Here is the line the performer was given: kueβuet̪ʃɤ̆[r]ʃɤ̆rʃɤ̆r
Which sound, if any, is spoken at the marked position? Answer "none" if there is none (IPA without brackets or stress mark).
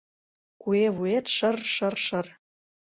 r